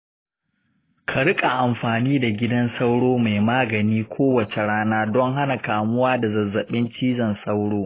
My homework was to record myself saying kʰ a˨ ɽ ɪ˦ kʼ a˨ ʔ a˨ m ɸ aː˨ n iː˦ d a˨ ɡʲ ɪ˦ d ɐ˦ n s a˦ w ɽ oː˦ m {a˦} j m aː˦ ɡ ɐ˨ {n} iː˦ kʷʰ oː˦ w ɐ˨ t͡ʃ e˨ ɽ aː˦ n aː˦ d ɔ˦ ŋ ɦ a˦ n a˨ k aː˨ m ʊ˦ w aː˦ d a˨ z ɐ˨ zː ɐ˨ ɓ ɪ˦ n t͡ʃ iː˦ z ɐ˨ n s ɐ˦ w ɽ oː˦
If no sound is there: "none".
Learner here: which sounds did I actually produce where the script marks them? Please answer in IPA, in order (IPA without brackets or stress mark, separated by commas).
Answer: a˨, n